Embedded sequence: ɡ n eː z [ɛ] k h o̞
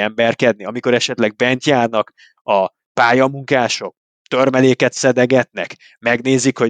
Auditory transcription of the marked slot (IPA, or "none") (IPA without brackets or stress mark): i